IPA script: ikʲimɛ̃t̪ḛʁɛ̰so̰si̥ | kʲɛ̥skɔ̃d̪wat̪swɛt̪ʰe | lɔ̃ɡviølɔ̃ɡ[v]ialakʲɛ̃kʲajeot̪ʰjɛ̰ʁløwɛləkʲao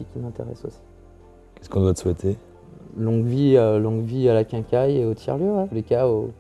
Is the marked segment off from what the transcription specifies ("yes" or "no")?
no